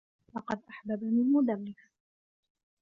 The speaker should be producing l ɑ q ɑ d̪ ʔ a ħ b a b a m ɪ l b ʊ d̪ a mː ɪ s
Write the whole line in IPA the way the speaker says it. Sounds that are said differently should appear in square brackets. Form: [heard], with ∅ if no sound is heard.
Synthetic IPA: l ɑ q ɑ d̪ ʔ a ħ b a b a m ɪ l [m] ʊ d̪ a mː ɪ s